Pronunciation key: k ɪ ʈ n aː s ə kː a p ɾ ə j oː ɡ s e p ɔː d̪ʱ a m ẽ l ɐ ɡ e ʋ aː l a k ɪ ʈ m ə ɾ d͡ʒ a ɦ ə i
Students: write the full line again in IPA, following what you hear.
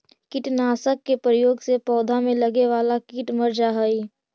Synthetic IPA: k ɪ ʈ n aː s ə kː e p ɾ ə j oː ɡ s e p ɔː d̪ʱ a m ẽ l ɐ ɡ e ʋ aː l a k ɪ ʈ m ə ɾ d͡ʒ a ɦ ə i